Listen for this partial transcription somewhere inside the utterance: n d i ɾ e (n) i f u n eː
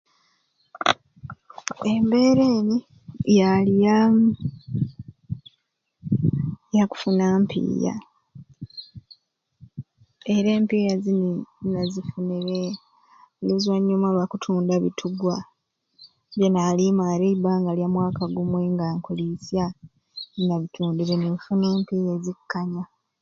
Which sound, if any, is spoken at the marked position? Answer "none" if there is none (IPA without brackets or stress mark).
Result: n